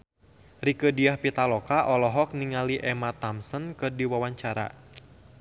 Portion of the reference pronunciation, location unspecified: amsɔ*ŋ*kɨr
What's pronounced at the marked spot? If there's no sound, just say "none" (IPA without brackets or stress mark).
n